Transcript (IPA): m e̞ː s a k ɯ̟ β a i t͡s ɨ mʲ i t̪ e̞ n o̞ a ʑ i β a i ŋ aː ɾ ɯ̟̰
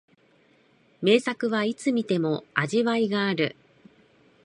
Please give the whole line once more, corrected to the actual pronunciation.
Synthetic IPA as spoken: m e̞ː s a k ɯ̟ β a i t͡s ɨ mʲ i t̪ e̞ m o̞ a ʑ i β a i ɡ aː ɾ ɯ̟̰